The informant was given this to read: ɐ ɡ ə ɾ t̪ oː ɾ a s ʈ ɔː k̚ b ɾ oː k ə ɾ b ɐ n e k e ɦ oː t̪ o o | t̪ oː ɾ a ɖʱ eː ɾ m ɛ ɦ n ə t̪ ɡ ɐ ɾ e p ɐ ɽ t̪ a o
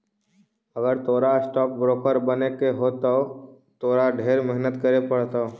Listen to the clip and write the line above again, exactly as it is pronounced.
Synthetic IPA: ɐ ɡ ə ɾ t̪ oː ɾ a s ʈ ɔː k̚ b ɾ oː k ə ɾ b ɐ n e k e ɦ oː t̪ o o | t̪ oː ɾ a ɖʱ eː ɾ m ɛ ɦ n ə t̪ k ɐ ɾ e p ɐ ɽ t̪ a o